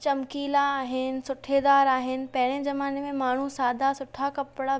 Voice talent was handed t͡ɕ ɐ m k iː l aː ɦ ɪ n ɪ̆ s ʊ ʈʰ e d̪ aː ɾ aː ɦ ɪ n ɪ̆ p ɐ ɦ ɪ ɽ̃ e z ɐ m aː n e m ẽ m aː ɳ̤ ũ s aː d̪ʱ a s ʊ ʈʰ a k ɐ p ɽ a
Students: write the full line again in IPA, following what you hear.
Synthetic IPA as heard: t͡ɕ ɐ m k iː l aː ɦ ɪ n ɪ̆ s ʊ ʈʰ e d̪ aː ɾ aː ɦ ɪ n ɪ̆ p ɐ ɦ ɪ ɽ̃ e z ɐ m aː n e m ẽ m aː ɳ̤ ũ s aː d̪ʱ a s ʊ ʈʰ a k ɐ p ɽ a